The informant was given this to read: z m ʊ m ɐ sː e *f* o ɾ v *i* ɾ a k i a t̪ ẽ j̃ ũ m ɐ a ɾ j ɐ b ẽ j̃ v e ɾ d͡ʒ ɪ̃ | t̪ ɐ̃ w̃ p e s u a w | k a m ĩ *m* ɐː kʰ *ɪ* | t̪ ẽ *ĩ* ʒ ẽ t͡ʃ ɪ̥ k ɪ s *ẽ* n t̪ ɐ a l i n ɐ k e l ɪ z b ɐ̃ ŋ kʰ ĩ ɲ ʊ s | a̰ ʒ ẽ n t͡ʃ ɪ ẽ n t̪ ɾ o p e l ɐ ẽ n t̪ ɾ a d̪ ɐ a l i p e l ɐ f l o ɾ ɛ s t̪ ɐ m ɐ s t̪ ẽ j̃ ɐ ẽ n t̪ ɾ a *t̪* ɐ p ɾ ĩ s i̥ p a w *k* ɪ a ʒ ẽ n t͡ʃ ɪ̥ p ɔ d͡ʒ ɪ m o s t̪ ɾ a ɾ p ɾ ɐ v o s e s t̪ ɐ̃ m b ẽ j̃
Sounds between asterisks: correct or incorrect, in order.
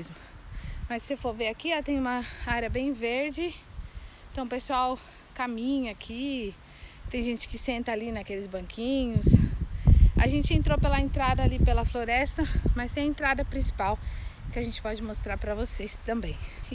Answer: correct, incorrect, incorrect, incorrect, incorrect, correct, incorrect, correct

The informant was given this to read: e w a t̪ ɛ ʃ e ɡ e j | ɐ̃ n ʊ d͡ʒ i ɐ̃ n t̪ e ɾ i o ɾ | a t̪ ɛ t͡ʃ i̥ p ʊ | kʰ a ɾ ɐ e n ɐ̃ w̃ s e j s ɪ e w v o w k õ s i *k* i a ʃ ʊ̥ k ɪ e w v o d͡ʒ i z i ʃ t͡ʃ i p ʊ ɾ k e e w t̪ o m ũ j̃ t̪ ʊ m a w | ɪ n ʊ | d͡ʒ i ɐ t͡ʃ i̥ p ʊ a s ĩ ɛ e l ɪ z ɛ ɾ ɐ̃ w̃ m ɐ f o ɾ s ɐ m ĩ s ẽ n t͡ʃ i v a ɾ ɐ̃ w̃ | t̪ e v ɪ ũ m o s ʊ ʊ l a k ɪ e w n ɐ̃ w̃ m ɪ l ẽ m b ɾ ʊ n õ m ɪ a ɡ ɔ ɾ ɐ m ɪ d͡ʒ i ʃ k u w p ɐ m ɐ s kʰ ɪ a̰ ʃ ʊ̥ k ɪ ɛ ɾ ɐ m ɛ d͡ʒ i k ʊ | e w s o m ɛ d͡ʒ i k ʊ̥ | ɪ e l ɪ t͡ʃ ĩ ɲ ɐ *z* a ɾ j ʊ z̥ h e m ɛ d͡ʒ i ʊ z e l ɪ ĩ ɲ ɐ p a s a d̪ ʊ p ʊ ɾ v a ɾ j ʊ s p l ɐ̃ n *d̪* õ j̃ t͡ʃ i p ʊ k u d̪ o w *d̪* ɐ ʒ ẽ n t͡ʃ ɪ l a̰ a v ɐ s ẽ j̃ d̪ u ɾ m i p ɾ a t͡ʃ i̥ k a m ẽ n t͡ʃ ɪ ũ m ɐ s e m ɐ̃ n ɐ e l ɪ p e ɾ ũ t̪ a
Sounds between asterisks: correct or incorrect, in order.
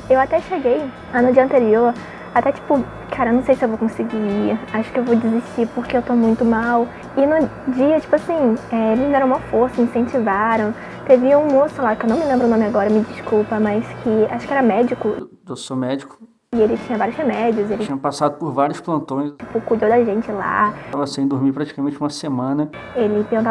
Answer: incorrect, incorrect, incorrect, correct

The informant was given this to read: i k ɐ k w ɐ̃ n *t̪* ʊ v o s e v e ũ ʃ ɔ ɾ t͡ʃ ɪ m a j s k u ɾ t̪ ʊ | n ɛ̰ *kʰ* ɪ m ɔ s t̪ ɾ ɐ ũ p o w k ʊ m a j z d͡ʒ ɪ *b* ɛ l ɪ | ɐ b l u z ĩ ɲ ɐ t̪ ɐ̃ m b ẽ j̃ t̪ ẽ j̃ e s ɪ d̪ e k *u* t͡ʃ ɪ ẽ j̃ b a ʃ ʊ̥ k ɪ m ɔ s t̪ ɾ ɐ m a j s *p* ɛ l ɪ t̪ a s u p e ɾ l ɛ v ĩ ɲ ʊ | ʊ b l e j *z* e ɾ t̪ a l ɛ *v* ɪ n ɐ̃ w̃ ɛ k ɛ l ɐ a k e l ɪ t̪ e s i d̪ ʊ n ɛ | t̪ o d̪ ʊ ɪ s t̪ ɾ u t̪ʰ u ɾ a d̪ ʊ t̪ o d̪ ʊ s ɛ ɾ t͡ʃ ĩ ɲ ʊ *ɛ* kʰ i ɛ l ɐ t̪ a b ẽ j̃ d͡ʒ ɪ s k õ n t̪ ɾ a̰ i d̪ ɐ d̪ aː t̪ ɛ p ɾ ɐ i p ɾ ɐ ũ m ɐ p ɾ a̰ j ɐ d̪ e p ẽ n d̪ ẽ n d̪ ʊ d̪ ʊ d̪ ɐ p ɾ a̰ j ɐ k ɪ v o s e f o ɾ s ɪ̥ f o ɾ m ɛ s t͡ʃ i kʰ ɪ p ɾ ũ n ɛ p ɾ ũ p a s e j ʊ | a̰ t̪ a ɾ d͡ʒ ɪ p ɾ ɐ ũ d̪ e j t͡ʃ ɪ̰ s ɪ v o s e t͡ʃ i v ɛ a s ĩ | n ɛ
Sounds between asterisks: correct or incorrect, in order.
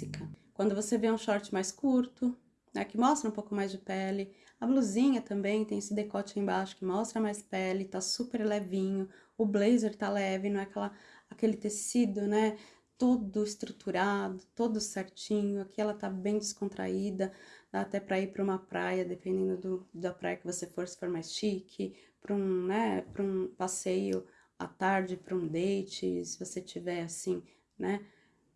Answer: incorrect, incorrect, incorrect, incorrect, correct, correct, correct, incorrect

